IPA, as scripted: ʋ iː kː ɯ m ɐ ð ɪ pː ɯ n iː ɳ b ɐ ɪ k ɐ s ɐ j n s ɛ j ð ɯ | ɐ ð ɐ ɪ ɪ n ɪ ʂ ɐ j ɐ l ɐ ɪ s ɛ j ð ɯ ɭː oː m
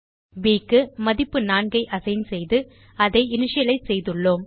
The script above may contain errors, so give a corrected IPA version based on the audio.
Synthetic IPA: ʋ iː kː ɯ m ɐ ð ɪ pː ɯ n aː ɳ ɡ ɐ ɪ ʔ ɐ s ɐ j n s ɛ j ð ɯ | ɐ ð ɐ ɪ ɪ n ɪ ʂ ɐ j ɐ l ɐ ɪ s ɛ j ð ɯ ɭː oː m